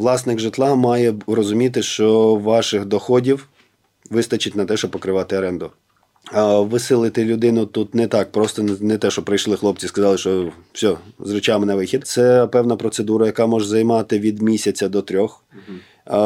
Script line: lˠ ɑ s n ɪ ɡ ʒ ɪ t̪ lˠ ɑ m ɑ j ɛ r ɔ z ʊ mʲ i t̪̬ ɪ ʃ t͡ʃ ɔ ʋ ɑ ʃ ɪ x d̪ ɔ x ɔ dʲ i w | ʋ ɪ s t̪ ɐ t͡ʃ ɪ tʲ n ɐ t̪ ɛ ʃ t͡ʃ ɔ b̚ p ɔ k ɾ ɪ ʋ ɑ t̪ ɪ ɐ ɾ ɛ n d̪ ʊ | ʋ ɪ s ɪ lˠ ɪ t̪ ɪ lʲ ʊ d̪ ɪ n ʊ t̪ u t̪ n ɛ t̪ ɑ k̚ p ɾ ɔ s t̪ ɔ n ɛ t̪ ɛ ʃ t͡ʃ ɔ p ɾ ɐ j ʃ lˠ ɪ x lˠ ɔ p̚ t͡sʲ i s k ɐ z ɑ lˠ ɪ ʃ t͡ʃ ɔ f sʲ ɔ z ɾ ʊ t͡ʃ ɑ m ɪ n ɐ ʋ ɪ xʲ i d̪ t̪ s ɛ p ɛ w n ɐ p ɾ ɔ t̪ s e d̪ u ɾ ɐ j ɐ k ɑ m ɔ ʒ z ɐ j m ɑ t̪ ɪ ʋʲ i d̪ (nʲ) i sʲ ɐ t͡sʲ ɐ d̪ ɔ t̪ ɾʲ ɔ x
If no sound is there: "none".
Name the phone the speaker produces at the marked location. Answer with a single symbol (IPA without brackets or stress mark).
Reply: mʲ